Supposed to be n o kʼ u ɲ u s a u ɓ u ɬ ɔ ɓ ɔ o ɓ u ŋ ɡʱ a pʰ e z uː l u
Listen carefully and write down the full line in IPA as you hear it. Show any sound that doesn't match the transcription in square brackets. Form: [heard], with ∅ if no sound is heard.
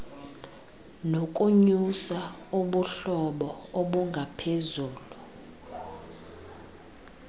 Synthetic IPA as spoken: n o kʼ u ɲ u s a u ɓ u ɬ ɔ ɓ ɔ o ɓ u ŋ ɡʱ a pʰ e z uː l u